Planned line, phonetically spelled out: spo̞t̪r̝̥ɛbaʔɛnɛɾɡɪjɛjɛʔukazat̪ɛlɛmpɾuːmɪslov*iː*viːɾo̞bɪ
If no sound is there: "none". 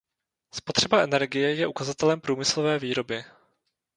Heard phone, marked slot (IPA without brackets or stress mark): ɛː